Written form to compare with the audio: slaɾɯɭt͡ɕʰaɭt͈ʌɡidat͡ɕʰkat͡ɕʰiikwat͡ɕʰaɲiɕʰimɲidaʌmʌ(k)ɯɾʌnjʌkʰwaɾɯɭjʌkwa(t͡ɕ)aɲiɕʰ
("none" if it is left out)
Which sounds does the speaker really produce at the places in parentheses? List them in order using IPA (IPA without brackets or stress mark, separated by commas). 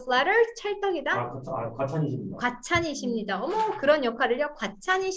k, t͡ɕʰ